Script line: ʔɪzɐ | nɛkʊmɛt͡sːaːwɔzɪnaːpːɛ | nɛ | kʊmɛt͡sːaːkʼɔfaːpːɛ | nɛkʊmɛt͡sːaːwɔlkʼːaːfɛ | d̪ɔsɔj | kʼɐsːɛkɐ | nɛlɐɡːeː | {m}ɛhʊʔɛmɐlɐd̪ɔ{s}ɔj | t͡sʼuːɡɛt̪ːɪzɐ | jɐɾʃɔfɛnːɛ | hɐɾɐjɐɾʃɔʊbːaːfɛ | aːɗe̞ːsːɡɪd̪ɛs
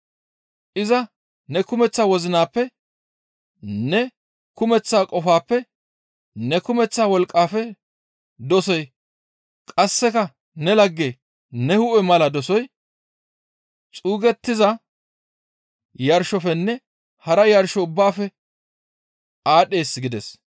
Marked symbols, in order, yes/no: no, yes

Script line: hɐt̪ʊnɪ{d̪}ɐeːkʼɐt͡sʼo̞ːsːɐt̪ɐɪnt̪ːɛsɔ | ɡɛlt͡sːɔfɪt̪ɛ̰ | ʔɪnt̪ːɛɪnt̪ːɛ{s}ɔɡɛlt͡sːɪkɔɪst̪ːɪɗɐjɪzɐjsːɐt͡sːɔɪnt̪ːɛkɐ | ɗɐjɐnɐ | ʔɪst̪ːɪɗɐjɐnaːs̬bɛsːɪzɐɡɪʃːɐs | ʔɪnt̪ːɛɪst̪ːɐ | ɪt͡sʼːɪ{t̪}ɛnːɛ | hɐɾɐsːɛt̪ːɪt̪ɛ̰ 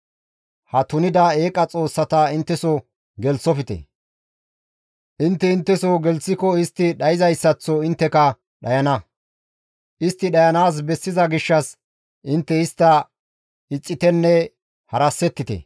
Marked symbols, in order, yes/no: yes, yes, yes

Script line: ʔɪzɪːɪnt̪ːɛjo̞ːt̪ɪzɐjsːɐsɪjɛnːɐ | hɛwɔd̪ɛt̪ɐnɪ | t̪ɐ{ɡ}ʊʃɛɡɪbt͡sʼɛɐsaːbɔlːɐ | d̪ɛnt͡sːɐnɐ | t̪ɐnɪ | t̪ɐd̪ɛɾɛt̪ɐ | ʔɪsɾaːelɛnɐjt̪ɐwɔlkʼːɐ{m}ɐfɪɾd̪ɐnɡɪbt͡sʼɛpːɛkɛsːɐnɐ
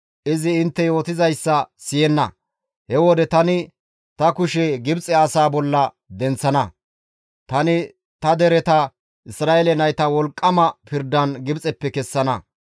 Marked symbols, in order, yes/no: no, yes

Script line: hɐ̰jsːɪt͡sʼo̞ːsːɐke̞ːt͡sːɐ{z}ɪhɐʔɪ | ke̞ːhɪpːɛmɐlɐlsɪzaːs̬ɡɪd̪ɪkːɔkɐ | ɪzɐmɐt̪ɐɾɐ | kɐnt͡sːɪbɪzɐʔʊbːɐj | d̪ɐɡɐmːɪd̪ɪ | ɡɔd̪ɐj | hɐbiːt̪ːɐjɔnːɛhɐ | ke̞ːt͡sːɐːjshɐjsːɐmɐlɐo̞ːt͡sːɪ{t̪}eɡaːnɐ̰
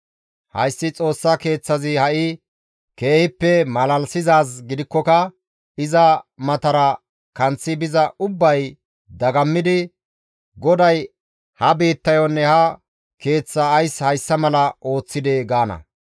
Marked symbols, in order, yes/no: yes, no

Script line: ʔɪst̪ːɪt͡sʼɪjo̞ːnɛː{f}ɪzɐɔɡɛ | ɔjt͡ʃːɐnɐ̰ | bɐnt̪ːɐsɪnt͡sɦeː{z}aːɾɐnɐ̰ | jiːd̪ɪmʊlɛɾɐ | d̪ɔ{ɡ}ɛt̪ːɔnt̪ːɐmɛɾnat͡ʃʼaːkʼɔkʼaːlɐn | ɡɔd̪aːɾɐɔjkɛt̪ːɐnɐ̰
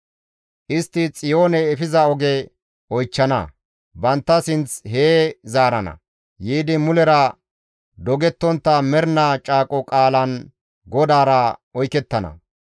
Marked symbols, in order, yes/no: yes, yes, yes

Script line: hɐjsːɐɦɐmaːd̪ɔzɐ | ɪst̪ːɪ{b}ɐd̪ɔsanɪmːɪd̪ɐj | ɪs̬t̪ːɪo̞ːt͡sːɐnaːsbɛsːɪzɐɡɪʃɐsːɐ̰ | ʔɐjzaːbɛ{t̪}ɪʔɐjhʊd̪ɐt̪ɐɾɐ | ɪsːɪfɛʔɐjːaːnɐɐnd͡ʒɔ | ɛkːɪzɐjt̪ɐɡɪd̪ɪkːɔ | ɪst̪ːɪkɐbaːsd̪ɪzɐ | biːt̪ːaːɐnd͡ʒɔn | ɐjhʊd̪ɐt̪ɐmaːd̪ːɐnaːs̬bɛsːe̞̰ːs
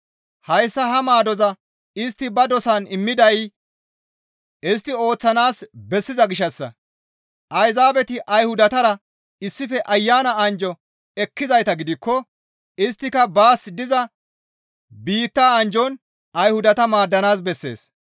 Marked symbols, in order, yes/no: yes, yes

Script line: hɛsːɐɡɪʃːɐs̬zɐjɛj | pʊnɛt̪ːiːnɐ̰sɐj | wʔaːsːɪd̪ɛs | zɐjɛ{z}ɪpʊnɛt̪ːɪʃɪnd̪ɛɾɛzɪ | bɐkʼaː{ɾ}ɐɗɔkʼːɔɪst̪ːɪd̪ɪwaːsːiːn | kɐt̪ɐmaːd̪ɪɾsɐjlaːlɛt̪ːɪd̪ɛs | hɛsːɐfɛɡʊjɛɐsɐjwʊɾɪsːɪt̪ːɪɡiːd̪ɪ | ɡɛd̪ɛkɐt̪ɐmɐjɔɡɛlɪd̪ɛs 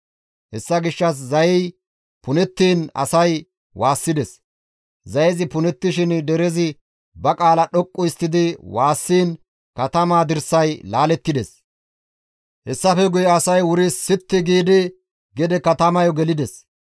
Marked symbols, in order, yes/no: yes, no

